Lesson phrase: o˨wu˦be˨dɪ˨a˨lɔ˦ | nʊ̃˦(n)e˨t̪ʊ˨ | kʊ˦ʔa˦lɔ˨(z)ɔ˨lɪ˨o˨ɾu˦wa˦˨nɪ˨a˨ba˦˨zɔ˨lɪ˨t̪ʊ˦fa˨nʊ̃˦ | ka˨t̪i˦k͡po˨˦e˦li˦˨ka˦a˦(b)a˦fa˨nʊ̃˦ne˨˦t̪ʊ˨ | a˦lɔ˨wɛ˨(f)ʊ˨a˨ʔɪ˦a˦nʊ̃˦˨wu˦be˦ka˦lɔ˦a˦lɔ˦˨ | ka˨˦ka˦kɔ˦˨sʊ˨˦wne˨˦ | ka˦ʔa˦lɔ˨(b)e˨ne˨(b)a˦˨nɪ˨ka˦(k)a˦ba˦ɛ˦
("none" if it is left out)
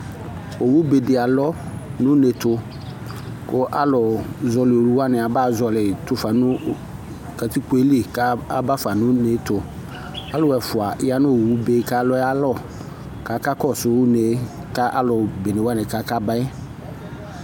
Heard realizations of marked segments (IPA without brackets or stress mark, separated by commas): n, z, b, f, b, w, k